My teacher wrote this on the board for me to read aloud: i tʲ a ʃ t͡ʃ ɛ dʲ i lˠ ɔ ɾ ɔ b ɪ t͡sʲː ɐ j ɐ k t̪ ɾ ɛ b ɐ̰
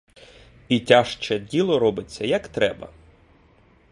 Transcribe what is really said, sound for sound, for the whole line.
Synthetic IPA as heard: i tʲ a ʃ t͡ʃ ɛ dʲ i lˠ ɔ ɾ ɔ b ɪ t͡sʲː ɐ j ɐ k t̪ ɾ ɛ b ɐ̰

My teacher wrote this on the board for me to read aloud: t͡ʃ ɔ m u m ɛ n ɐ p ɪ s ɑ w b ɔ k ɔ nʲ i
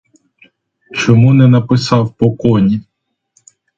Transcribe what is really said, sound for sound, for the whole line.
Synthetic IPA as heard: t͡ʃ ɔ m u n ɛ n ɐ p ɪ s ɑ w p ɔ k ɔ nʲ i

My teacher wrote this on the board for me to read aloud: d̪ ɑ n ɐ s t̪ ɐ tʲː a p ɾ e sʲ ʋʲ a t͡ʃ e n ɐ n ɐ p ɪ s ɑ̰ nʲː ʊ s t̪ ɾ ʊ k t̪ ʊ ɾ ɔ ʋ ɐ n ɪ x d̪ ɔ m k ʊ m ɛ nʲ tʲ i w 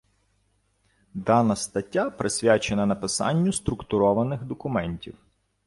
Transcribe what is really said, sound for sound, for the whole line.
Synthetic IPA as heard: d̪ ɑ n ɐ s t̪ ɐ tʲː a p ɾ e sʲ ʋʲ a t͡ʃ e n ɐ n ɐ p ɪ s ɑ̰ nʲː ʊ s t̪ ɾ ʊ k t̪ ʊ ɾ ɔ ʋ ɐ n ɪ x d̪ ɔ k ʊ m ɛ nʲ tʲ i w

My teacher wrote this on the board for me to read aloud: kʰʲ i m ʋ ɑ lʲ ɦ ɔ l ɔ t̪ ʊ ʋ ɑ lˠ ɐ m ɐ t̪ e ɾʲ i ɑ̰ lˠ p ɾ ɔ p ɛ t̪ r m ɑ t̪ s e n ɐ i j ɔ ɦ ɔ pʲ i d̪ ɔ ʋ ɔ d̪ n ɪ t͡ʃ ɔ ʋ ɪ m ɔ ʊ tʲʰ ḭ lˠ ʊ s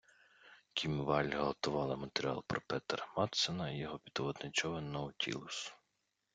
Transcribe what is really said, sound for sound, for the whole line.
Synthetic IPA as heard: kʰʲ i m ʋ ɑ lʲ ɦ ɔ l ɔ t̪ ʊ ʋ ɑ lˠ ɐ m ɐ t̪ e ɾʲ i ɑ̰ lˠ p ɾ ɔ p ɛ t̪ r m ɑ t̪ s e n ɐ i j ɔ ɦ ɔ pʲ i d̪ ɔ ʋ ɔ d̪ n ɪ t͡ʃ ɔ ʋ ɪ n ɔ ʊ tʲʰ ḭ lˠ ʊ s

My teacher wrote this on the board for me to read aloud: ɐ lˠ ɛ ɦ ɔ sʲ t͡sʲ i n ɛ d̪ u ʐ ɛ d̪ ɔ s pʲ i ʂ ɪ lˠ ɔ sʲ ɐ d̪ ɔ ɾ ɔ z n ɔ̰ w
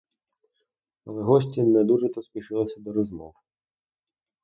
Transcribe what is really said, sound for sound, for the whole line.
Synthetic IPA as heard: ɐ lˠ ɛ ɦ ɔ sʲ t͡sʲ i n ɛ d̪ u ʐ ɛ t̪ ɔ s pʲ i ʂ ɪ lˠ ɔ sʲ ɐ d̪ ɔ ɾ ɔ z m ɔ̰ w

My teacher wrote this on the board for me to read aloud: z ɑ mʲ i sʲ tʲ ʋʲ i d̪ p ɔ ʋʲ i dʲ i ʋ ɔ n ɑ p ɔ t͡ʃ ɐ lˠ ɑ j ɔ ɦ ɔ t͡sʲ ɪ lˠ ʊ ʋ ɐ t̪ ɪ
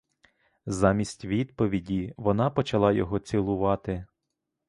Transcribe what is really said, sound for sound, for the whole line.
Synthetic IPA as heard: z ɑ mʲ i sʲ tʲ ʋʲ i d̪ p ɔ ʋʲ i dʲ i ʋ ɔ n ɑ p ɔ t͡ʃ ɐ lˠ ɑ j ɔ ɦ ɔ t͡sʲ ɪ lˠ ʊ ʋ ɑ t̪ ɪ

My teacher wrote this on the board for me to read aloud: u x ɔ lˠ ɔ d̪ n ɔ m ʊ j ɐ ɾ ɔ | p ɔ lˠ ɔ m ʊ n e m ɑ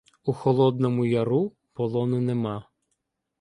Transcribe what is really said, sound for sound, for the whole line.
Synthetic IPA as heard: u x ɔ lˠ ɔ d̪ n ɔ m ʊ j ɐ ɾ u | p ɔ lˠ ɔ n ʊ n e m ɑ

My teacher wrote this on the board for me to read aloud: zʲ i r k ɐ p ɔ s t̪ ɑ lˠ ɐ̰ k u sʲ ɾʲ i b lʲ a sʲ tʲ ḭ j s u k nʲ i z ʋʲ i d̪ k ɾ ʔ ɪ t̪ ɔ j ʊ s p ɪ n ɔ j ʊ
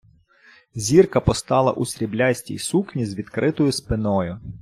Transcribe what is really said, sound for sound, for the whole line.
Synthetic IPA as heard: zʲ i r k ɐ p ɔ s t̪ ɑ lˠ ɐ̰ ʔ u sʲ ɾʲ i b lʲ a sʲ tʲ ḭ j s u k nʲ i z ʋʲ i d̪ k ɾ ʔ ɪ t̪ ɔ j ʊ s p ɪ n ɔ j ʊ

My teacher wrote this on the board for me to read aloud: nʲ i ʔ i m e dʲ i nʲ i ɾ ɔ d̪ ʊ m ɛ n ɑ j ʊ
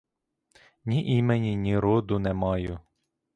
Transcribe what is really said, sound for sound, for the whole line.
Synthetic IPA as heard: nʲ i ʔ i m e nʲ i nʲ i ɾ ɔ d̪ ʊ n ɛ m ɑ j ʊ

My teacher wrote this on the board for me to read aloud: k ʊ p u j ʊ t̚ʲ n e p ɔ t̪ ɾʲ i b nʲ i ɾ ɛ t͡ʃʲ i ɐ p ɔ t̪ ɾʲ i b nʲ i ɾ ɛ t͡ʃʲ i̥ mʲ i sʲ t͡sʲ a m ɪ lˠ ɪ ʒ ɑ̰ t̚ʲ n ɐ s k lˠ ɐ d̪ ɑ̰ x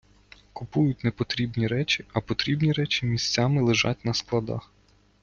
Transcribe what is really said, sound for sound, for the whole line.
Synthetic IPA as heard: k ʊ p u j ʊ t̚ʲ n e p ɔ t̪ ɾʲ i b nʲ i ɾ ɛ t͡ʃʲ i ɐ p ɔ t̪ ɾʲ i b nʲ i ɾ ɛ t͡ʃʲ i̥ mʲ i sʲ t͡sʲ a m ɪ lˠ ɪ ʒ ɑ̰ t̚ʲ n ɐ s k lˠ ɐ d̪ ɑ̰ x

